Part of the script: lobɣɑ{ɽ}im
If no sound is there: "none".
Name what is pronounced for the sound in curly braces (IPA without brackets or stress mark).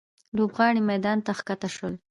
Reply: ɽ